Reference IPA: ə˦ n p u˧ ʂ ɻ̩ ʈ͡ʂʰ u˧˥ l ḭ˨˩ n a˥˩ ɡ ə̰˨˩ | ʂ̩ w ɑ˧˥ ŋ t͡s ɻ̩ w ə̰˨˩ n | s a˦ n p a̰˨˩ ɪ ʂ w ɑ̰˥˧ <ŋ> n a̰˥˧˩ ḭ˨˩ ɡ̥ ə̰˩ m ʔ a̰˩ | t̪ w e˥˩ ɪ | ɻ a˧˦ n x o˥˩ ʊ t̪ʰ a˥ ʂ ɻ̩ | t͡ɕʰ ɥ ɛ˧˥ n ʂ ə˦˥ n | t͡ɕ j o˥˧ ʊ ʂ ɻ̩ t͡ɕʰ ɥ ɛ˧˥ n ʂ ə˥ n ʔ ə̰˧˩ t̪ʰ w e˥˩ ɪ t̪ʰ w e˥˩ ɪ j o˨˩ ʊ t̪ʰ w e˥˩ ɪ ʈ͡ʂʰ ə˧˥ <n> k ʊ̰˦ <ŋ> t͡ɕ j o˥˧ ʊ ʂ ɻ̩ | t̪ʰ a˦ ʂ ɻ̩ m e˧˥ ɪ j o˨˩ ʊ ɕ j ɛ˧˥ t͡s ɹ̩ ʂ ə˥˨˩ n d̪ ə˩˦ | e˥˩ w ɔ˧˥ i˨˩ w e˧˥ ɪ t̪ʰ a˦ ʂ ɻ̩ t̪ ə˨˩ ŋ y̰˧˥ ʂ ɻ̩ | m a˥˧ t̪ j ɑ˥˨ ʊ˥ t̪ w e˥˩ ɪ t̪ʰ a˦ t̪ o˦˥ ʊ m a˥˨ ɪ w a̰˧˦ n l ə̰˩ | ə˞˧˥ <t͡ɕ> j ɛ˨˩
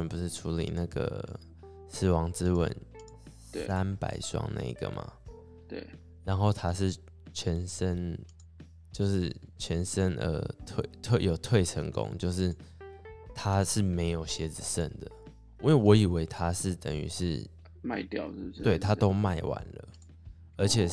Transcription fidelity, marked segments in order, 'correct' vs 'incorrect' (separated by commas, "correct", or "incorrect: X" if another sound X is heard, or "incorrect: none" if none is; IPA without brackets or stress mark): correct, incorrect: ŋ, correct, incorrect: t͡ɕʰ